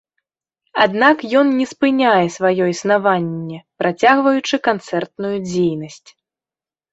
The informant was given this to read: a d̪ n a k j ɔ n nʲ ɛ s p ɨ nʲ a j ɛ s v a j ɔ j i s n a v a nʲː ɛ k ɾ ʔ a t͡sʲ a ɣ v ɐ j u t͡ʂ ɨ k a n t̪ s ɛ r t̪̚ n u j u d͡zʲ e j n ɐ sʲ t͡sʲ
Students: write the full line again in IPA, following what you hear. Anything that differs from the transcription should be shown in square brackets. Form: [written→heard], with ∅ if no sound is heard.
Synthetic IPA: a d̪ n a k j ɔ n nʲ ɛ s p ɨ nʲ a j ɛ s v a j ɔ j i s n a v a nʲː ɛ [k→p] ɾ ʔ a t͡sʲ a ɣ v ɐ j u t͡ʂ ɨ k a n t̪ s ɛ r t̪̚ n u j u d͡zʲ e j n ɐ sʲ t͡sʲ

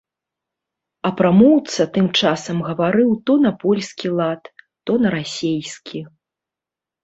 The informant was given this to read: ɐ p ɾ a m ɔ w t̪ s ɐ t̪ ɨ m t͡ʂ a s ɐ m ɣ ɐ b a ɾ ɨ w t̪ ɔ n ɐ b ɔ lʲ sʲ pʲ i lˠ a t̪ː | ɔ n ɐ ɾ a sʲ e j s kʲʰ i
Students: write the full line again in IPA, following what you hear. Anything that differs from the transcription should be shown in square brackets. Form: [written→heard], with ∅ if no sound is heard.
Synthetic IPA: ɐ p ɾ a m ɔ w t̪ s ɐ t̪ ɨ m t͡ʂ a s ɐ m ɣ ɐ [b→v] a ɾ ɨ w t̪ ɔ n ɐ [b→p] ɔ lʲ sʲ [pʲ→kʲ] i lˠ a t̪ː | ɔ n ɐ ɾ a sʲ e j s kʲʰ i

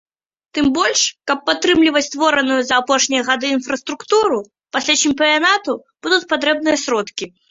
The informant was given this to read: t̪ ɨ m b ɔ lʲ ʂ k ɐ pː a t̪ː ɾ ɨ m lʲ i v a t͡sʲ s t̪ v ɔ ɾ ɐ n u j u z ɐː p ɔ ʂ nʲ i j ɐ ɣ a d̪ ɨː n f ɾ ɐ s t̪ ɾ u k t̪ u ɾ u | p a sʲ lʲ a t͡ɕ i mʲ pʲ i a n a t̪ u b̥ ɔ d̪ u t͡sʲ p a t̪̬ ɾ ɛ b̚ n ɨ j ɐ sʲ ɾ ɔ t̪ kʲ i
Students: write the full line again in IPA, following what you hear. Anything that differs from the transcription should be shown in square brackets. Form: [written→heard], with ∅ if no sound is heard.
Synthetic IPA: t̪ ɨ m b ɔ lʲ ʂ k ɐ pː a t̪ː ɾ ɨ m lʲ i v [a→ɐ] t͡sʲ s t̪ v ɔ ɾ ɐ n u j u z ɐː p ɔ ʂ nʲ i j ɐ ɣ a d̪ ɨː n f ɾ ɐ s t̪ ɾ u k t̪ u ɾ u | p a sʲ lʲ a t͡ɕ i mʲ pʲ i a n a t̪ u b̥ [ɔ→u] d̪ u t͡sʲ p a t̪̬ ɾ ɛ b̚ n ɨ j ɐ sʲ ɾ ɔ t̪ kʲ i

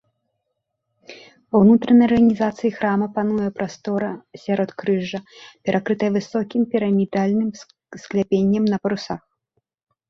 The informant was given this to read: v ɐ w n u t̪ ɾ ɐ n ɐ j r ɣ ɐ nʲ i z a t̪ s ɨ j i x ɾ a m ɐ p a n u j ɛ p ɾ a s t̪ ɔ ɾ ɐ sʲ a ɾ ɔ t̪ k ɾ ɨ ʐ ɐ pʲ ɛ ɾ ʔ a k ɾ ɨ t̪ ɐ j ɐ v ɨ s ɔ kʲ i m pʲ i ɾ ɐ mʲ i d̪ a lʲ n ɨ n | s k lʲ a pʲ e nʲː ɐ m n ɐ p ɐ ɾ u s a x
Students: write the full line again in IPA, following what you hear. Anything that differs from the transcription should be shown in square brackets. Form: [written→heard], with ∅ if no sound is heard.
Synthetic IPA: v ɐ w n u t̪ ɾ ɐ n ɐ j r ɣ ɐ nʲ i z a t̪ s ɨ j i x ɾ a m ɐ p a n u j ɛ p ɾ a s t̪ ɔ ɾ ɐ sʲ a ɾ ɔ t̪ k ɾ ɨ ʐ ɐ pʲ ɛ ɾ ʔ a k ɾ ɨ t̪ ɐ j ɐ v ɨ s ɔ kʲ i m pʲ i ɾ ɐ mʲ i d̪ a lʲ n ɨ [n→m] | s k lʲ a pʲ e nʲː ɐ m n ɐ p ɐ ɾ u s a x

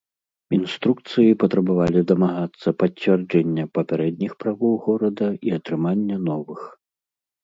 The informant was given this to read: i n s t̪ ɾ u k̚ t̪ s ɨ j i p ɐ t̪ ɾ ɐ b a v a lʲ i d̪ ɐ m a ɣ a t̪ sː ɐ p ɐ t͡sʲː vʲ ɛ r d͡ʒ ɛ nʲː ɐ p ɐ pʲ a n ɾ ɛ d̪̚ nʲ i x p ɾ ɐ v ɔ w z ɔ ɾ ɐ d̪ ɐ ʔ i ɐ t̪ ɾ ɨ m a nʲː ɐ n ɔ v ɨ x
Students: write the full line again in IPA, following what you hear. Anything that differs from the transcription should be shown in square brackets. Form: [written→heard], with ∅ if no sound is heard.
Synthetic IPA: i n s t̪ ɾ u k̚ t̪ s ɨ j i p ɐ t̪ ɾ ɐ b a v a lʲ i d̪ ɐ m a ɣ a t̪ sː ɐ p ɐ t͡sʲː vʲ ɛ r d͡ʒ ɛ nʲː ɐ p ɐ pʲ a [n→∅] ɾ ɛ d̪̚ nʲ i x p ɾ [ɐ→a] v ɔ w [z→ɣ] ɔ ɾ ɐ d̪ ɐ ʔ i ɐ t̪ ɾ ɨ m a nʲː ɐ n ɔ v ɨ x

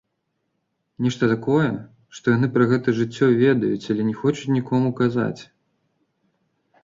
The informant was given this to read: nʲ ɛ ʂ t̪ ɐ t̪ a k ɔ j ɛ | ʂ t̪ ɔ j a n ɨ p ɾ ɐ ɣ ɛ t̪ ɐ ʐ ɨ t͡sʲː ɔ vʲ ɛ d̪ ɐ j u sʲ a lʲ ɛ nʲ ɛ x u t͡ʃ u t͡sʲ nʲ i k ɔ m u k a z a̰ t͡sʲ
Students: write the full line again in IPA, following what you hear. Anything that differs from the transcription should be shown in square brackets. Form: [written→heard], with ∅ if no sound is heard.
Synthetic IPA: nʲ ɛ ʂ t̪ ɐ t̪ a k ɔ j ɛ | ʂ t̪ ɔ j a n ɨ p ɾ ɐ ɣ ɛ t̪ ɐ ʐ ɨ t͡sʲː ɔ vʲ ɛ d̪ ɐ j u [sʲ→t͡sʲ] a lʲ ɛ nʲ ɛ x [u→ɔ] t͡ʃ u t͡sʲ nʲ i k ɔ m u k a z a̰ t͡sʲ

